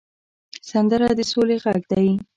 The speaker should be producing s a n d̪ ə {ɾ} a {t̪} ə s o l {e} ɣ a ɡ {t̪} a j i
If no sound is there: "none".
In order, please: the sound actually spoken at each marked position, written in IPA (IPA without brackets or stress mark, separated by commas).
ɾ, d̪, e, d̪